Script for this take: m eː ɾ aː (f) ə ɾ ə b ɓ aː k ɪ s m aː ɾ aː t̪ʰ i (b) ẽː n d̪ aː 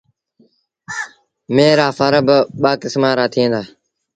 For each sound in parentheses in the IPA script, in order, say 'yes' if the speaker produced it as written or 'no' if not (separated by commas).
yes, no